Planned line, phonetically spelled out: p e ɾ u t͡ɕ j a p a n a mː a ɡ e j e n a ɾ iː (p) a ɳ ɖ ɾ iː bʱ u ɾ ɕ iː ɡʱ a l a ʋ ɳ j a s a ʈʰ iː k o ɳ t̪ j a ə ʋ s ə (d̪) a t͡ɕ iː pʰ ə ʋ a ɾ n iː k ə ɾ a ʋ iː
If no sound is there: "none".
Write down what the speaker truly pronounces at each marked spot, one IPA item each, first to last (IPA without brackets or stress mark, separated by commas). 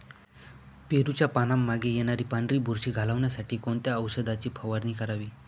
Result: p, d̪